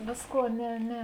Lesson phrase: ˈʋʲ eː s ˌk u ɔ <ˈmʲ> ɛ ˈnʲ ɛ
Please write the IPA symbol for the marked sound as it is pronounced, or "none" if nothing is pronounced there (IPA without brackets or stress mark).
nʲ